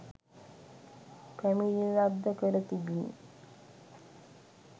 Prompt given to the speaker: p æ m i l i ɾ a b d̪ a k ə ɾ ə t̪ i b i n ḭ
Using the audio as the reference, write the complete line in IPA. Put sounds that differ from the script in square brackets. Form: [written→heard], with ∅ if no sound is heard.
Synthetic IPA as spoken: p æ m i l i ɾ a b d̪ [a→ə] k ə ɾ ə t̪ i b i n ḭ